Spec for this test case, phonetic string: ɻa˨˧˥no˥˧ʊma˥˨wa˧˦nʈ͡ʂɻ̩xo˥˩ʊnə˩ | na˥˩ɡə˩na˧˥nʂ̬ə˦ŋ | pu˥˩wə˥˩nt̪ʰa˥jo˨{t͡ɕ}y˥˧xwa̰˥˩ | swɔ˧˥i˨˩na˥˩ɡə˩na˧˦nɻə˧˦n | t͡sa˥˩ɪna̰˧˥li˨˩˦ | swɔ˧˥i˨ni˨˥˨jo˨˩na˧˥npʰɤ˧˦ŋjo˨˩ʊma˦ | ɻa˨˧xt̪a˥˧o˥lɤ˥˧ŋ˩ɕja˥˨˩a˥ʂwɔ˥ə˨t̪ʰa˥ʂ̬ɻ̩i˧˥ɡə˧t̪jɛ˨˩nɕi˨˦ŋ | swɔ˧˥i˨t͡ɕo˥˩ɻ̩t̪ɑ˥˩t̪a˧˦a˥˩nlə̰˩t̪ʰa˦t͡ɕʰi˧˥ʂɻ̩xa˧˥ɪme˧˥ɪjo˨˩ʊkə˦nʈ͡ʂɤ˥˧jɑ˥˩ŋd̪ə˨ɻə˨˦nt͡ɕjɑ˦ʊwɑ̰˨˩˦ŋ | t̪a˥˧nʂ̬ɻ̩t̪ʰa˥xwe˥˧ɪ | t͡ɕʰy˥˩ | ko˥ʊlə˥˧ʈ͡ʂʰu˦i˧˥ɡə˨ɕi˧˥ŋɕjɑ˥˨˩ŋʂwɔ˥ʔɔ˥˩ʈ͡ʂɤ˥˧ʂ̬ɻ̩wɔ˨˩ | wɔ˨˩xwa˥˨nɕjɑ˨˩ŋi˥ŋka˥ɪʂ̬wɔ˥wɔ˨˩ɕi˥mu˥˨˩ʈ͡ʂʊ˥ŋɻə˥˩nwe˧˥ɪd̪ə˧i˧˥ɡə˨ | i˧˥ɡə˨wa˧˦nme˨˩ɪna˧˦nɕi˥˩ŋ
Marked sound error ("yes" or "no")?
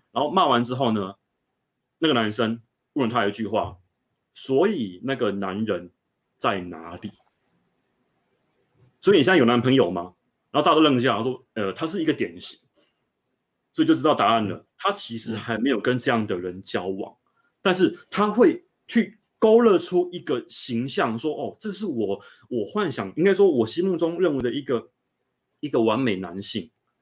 no